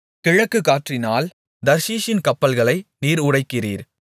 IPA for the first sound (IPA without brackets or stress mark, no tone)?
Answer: k